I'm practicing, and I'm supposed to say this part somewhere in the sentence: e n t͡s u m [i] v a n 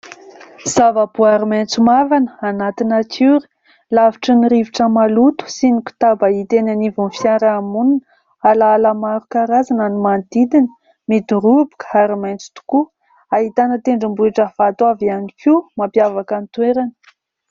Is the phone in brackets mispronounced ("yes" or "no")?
yes